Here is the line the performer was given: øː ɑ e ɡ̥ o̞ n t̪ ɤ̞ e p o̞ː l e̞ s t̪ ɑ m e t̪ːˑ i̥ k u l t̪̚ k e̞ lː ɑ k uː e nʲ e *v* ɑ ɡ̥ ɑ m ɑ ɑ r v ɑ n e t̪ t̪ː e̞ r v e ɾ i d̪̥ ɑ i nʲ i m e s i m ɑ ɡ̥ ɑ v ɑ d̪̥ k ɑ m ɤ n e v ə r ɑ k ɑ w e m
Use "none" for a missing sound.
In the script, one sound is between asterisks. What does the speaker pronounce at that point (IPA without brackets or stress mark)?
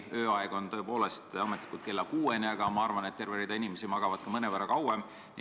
none